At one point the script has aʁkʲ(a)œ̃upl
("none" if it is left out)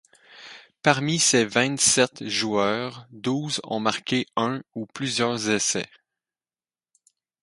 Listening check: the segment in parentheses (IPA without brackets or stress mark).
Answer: e